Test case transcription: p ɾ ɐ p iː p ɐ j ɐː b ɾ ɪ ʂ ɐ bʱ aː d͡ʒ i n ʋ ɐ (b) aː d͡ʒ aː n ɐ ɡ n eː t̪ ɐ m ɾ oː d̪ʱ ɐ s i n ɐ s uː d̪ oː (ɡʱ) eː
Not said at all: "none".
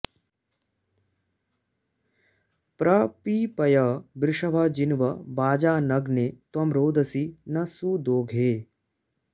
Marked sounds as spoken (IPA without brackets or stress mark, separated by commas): b, ɡʱ